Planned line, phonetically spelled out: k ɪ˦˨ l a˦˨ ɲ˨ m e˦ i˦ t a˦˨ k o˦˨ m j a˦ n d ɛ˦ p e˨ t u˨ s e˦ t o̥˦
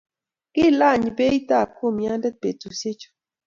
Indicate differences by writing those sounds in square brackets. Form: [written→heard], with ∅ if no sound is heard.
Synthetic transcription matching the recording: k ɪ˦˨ l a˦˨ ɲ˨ [m→b] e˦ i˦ t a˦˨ k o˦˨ m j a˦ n d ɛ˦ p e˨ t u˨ s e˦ [t→t͡ʃ] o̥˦